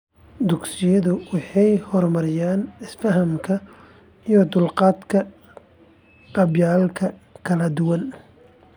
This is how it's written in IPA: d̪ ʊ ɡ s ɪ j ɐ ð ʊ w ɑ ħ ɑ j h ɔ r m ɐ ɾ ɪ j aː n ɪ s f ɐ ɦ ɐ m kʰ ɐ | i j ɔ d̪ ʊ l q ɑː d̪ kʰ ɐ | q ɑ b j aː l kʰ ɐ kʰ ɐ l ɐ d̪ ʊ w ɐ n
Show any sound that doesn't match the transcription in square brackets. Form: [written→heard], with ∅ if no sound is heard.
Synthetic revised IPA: d̪ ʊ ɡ s ɪ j ɐ ð ʊ w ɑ ħ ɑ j h ɔ r m ɐ ɾ ɪ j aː n ɪ s f ɐ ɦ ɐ m kʰ ɐ | i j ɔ d̪ ʊ l q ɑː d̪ kʰ ɐ | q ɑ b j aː l kʰ ɐ kʰ ɐ l ɐ d̪ ʊ w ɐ n